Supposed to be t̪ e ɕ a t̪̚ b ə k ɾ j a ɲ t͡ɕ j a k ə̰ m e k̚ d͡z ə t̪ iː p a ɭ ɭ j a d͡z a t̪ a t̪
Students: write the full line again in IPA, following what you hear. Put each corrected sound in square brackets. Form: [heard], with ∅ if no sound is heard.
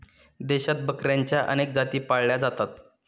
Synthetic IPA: [d̪] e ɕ a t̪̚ b ə k ɾ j a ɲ t͡ɕ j a [ʔ] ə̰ [n] e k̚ d͡z [a] t̪ iː p a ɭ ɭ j a d͡z a t̪ a t̪